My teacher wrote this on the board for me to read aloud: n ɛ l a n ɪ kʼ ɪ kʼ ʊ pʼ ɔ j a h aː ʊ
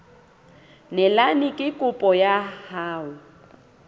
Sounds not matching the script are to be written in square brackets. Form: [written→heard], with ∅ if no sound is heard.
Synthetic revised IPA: n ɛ l a n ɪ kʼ ɪ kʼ ʊ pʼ ɔ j a h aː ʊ